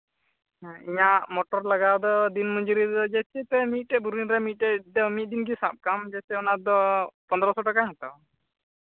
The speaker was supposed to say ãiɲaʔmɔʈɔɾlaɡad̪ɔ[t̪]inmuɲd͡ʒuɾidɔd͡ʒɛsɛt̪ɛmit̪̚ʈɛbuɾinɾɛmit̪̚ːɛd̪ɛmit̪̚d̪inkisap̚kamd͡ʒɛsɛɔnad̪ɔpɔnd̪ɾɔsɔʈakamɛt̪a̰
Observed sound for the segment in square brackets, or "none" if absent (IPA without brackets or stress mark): d̪